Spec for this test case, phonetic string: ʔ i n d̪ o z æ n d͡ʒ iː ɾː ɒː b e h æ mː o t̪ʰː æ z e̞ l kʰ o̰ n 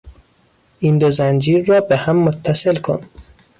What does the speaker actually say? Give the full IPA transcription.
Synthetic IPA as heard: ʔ i n d̪ o z æ n d͡ʒ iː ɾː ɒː b e h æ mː o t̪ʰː æ s e̞ l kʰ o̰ n